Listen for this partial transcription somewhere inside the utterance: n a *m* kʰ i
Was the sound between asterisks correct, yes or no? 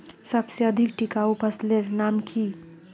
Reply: yes